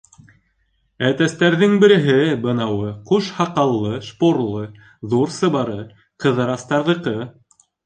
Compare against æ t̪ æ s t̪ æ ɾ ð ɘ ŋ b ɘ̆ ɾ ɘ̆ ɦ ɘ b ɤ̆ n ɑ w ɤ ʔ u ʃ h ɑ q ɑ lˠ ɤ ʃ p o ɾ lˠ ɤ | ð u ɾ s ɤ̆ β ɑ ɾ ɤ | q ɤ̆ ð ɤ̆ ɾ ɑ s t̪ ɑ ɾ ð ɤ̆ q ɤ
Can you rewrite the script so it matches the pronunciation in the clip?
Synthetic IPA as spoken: æ t̪ æ s t̪ æ ɾ ð ɘ ŋ b ɘ̆ ɾ ɘ̆ ɦ ɘ b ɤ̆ n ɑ w ɤ q u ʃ h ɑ q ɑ lˠː ɤ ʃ p o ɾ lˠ ɤ | ð u ɾ s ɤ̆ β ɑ ɾ ɤ | q ɤ̆ ð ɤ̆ ɾ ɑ s t̪ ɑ ɾ ð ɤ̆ q ɤ